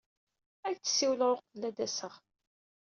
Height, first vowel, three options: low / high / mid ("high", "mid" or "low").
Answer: low